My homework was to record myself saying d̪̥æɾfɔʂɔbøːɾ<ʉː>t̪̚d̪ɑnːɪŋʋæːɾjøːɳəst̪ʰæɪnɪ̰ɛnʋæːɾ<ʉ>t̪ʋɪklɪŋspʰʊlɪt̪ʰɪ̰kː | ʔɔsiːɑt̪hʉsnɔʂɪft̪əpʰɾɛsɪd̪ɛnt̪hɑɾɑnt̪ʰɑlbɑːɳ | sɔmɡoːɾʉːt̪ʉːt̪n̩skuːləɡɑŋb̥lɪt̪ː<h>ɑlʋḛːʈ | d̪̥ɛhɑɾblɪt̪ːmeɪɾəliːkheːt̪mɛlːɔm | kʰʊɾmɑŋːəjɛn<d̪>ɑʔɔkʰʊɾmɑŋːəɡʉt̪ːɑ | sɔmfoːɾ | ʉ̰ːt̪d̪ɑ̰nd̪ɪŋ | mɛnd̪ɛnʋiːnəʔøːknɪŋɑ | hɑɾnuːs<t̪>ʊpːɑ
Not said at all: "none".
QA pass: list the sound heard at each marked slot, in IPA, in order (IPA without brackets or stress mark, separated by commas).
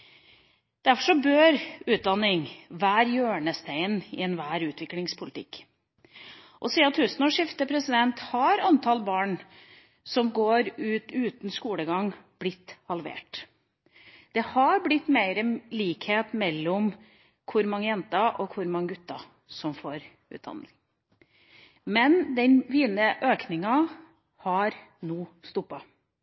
ʉː, ʉː, h, t̪, t̪